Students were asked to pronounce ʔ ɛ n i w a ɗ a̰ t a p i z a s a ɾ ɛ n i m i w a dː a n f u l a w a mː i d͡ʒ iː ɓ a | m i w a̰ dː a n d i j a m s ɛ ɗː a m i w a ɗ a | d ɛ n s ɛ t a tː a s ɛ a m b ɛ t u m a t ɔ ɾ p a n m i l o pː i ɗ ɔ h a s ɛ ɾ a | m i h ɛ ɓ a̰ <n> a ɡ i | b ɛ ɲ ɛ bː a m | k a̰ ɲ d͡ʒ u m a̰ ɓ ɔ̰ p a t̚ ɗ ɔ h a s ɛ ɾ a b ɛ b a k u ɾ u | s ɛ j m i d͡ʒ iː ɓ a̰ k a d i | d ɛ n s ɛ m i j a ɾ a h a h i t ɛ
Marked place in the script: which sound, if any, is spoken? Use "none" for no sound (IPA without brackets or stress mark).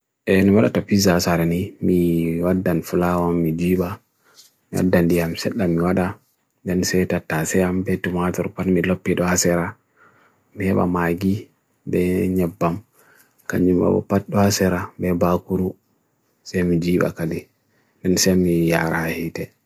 m